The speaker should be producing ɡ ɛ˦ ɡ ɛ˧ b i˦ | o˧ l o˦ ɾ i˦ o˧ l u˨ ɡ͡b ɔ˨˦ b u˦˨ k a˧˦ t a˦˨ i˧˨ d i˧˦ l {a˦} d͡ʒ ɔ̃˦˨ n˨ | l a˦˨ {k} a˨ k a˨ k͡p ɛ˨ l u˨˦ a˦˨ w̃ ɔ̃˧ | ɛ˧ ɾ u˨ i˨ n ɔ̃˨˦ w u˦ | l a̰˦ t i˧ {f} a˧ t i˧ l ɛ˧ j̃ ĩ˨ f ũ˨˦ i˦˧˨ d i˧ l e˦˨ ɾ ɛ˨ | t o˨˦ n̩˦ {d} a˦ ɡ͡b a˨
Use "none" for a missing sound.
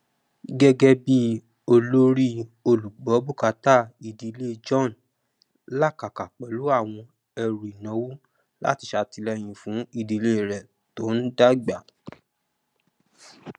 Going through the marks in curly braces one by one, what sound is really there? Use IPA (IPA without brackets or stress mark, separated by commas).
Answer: e˦, k, ʃ, d